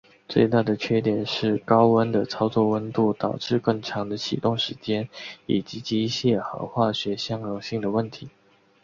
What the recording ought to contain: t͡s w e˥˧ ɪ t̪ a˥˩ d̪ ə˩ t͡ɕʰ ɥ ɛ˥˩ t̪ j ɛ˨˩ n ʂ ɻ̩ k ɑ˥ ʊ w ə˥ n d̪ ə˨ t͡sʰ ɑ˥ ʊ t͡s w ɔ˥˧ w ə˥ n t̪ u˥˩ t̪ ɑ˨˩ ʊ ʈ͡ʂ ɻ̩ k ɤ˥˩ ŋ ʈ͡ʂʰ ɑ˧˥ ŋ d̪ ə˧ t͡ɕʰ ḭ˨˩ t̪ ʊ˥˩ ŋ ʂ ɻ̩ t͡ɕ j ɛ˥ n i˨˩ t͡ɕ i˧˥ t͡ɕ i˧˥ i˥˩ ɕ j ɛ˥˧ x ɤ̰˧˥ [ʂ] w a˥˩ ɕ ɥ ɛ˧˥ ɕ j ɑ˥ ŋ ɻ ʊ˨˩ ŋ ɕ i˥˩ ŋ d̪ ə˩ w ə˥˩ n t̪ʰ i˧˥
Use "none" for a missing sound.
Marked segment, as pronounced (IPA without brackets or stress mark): x